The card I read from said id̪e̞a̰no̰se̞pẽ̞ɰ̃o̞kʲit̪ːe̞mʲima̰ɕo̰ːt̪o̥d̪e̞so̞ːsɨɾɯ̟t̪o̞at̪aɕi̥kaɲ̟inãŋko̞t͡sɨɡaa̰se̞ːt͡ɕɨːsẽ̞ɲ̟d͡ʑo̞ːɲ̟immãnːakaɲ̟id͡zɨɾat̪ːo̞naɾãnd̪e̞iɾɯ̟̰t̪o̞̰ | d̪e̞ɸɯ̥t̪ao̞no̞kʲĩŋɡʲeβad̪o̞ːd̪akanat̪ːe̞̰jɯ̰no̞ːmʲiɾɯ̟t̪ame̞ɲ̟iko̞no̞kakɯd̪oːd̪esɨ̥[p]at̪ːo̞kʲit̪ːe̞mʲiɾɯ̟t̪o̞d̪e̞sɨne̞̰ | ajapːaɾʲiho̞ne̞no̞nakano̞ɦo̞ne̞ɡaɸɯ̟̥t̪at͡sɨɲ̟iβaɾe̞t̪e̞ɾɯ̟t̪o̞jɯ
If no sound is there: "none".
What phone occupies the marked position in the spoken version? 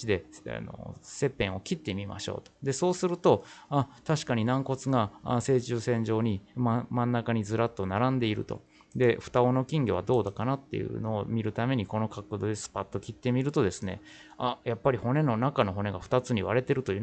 p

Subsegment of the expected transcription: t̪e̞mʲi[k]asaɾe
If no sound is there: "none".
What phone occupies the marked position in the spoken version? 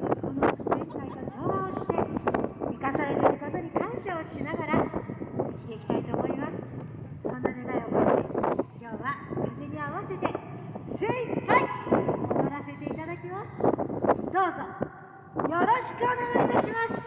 k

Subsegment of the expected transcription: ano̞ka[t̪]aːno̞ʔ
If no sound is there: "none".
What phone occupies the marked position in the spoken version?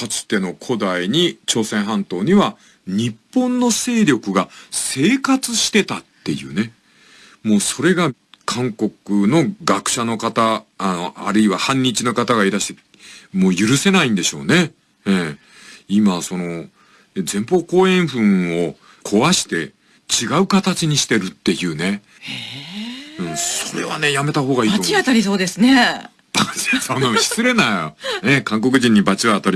t̪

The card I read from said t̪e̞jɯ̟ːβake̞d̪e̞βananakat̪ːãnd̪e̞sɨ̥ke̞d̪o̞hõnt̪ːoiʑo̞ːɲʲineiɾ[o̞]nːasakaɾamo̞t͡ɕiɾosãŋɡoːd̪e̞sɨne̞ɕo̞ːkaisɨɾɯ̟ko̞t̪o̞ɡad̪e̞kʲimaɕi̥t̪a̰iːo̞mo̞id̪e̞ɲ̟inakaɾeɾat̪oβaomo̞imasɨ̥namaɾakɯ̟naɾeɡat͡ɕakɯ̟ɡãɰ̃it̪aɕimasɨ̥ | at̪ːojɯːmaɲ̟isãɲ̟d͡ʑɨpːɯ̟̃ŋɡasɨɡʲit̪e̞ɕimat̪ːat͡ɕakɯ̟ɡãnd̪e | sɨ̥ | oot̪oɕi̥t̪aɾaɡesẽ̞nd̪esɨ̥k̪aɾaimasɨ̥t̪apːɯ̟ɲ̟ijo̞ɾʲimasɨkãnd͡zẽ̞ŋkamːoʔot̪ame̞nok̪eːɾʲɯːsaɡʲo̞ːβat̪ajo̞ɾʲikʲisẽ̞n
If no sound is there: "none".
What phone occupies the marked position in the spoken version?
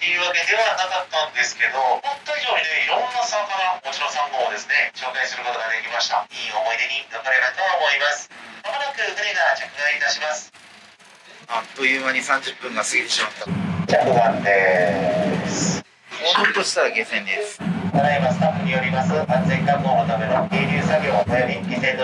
õ̞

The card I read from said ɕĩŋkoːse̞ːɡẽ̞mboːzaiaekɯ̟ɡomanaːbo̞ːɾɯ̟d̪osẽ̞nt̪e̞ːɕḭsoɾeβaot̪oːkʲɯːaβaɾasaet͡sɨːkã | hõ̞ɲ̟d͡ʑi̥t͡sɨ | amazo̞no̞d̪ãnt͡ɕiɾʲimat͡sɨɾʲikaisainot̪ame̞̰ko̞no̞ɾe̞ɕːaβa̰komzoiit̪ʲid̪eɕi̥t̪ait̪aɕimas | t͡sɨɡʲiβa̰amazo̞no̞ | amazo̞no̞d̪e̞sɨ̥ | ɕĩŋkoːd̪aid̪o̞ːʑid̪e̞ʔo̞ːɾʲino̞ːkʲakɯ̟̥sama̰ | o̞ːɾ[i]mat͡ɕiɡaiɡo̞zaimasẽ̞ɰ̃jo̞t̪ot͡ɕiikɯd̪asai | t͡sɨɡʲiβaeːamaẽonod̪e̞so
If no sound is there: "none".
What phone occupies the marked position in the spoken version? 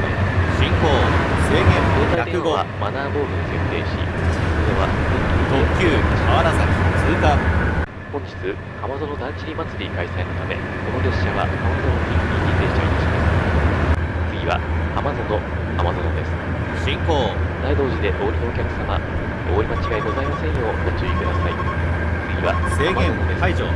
i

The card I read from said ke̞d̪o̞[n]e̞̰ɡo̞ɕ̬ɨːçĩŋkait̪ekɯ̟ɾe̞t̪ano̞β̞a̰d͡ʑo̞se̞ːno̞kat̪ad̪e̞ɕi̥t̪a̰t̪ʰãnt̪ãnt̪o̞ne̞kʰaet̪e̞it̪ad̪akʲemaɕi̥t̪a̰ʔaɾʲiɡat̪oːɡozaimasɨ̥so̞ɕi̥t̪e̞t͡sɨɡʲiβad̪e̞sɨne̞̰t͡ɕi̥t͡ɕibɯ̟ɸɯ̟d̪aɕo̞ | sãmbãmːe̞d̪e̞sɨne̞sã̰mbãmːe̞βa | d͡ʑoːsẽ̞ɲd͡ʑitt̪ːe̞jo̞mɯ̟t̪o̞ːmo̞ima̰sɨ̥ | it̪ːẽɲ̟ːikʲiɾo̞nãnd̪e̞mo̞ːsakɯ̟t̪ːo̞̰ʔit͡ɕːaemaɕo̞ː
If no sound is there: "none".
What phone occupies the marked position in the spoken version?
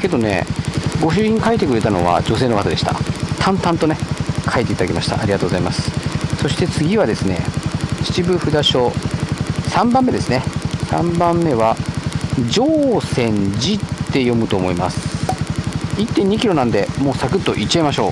n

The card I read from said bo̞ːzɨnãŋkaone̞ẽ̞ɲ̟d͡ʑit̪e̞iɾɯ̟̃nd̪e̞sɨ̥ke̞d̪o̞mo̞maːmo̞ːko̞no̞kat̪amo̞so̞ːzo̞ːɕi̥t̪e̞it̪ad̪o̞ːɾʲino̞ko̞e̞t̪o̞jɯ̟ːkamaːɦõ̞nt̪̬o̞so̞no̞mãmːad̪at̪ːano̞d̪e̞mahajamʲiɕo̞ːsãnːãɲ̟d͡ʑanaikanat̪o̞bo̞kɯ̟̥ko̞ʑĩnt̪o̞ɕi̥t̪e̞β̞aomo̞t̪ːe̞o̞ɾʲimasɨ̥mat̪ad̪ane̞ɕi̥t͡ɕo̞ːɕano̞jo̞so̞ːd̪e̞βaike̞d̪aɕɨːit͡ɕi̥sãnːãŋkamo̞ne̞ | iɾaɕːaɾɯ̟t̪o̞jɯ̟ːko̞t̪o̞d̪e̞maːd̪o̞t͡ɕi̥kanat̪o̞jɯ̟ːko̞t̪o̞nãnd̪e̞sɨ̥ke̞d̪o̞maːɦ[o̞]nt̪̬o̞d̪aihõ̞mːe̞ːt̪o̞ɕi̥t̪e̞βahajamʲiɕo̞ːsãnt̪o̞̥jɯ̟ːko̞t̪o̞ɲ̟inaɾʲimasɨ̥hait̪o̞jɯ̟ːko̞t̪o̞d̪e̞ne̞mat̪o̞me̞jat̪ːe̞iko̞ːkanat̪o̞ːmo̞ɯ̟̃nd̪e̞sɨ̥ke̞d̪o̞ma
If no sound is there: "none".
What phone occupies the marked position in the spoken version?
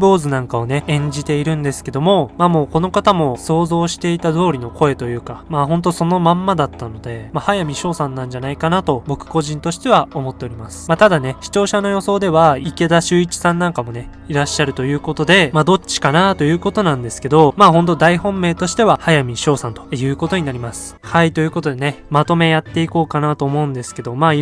õ̞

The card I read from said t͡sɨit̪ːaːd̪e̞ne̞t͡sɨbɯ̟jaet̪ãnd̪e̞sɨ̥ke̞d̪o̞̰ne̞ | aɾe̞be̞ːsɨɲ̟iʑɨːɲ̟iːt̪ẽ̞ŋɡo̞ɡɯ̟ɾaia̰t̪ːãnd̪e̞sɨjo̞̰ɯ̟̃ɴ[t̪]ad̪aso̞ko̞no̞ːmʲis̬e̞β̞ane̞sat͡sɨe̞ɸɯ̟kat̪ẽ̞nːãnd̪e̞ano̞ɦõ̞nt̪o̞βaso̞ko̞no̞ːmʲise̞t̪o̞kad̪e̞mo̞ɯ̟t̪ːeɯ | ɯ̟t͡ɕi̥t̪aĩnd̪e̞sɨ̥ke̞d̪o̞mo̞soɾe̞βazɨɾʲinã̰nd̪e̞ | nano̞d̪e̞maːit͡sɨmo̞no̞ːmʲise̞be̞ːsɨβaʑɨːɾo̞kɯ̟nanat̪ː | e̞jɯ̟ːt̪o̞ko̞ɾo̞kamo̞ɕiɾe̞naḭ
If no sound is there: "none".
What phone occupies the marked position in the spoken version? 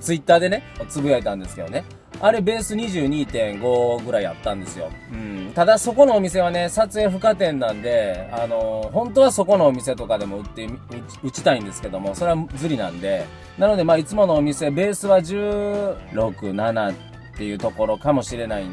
t̪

